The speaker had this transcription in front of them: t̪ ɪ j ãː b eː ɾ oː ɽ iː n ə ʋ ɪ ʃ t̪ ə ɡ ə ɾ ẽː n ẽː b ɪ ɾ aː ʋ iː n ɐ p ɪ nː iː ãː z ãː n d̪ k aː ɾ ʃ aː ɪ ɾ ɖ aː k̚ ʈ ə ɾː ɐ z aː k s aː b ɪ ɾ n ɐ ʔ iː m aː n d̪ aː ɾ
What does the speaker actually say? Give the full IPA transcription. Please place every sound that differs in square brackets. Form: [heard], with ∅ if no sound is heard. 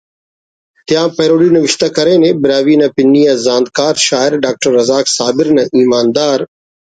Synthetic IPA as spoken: t̪ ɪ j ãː [p] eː ɾ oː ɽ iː n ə ʋ ɪ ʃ t̪ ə [k] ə ɾ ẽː n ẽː b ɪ ɾ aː ʋ iː n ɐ p ɪ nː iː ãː z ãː n d̪ k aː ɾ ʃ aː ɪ ɾ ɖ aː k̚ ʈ ə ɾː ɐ z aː k s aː b ɪ ɾ n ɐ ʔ iː m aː n d̪ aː ɾ